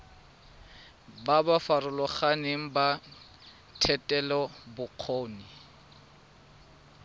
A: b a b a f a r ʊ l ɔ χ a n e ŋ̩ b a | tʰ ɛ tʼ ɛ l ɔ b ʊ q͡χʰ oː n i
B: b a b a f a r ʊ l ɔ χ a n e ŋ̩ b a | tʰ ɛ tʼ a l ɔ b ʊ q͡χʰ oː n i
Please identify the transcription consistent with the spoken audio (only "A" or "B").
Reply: A